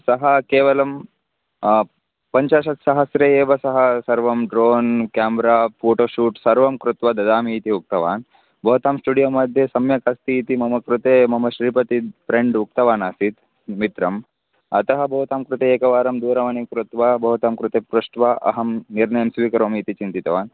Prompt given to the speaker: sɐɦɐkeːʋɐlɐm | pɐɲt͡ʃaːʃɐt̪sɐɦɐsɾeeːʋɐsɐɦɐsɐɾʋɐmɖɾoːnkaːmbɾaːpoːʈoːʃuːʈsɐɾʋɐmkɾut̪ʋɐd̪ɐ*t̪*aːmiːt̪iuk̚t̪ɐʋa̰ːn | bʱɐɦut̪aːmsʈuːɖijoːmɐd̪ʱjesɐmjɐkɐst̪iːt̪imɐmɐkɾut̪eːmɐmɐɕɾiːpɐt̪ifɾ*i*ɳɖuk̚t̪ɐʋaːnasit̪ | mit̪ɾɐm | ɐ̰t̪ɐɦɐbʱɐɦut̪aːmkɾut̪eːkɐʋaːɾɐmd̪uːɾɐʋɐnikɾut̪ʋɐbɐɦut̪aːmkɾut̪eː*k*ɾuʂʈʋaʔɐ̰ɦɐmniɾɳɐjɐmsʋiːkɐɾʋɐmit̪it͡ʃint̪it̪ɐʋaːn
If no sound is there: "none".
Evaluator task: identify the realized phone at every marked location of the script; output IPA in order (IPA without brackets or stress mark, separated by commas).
d̪, e, p